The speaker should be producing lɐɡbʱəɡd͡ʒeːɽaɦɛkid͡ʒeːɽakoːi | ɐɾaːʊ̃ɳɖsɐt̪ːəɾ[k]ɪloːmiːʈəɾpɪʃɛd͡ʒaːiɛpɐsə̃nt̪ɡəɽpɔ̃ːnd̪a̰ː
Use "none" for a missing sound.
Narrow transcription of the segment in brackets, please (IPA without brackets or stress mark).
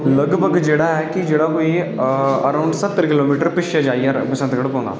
k